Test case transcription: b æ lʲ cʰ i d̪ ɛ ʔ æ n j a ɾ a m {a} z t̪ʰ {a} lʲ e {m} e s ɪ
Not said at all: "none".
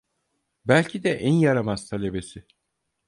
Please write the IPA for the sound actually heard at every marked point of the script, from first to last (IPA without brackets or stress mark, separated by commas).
a, a, b